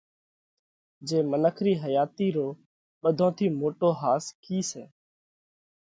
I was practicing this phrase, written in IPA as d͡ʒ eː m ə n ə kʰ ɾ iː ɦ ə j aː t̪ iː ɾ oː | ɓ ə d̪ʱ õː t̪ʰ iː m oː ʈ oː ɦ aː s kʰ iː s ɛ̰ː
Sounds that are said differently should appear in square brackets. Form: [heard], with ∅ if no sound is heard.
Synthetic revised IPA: d͡ʒ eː m ə n ə kʰ ɾ iː ɦ ə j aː t̪ iː ɾ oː | ɓ ə d̪ʱ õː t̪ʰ iː m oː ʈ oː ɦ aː s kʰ iː s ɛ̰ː